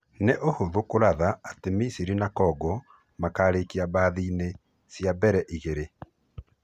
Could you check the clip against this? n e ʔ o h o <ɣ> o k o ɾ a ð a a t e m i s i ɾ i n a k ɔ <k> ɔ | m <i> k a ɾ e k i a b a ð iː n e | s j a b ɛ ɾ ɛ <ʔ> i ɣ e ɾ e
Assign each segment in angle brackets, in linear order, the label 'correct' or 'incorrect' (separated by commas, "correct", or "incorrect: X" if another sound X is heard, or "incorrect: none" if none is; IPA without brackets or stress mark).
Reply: incorrect: ð, incorrect: ɡ, incorrect: a, correct